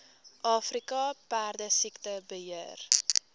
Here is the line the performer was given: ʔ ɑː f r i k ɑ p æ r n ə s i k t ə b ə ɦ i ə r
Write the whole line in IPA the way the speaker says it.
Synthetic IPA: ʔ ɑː f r i k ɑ p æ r d ə s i k t ə b ə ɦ i ə r

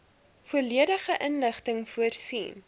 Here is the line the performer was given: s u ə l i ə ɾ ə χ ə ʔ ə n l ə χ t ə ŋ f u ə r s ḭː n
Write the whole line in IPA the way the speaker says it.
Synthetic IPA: f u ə l i ə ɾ ə χ ə ʔ ə n l ə χ t ə ŋ f u ə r s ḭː n

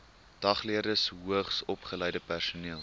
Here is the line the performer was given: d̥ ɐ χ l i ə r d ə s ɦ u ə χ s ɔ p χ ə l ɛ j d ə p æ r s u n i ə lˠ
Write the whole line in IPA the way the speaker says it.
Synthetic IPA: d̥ ɐ χ l i ə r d ə s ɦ u ə χ s ɔ p χ ə l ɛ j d ə p æ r s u n i ə lˠ

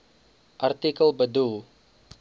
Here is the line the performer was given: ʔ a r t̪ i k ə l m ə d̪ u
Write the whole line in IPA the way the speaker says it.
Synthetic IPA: ʔ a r t̪ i k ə l b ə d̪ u

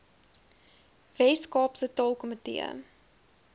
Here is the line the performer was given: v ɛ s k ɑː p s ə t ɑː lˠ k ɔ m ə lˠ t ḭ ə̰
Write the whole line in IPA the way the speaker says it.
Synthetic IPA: v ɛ s k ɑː p s ə t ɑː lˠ k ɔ m ə t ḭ ə̰

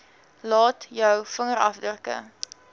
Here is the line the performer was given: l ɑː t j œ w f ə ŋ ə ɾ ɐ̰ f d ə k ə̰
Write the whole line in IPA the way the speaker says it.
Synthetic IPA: l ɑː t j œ w f ə ŋ ə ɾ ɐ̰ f d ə k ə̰

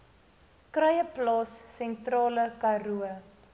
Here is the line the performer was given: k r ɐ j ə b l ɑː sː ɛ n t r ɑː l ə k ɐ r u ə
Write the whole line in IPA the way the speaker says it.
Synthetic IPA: k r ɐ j ə p l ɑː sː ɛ n t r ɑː l ə k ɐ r u ə

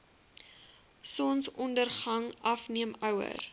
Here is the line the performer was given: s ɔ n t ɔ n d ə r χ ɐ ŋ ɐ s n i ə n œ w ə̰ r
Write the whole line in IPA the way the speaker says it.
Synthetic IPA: s ɔ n s ɔ n d ə r χ ɐ ŋ ɐ f n i ə m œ w ə̰ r

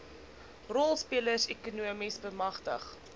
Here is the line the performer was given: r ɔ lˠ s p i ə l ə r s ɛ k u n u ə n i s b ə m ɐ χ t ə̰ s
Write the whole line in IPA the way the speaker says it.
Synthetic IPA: r ɔ lˠ s p i ə l ə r s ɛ k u n u ə m i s b ə m ɐ χ t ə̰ χ

